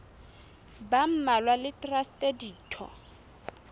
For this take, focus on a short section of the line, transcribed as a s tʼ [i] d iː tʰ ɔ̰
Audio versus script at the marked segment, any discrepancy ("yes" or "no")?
yes